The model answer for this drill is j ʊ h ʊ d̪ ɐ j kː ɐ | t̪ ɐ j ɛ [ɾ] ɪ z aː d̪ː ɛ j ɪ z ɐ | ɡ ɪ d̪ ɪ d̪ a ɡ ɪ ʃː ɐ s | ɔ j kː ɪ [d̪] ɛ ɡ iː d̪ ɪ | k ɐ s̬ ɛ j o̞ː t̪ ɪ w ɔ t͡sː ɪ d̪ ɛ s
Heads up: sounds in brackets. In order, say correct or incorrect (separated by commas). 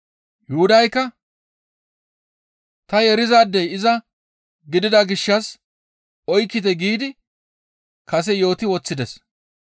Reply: correct, incorrect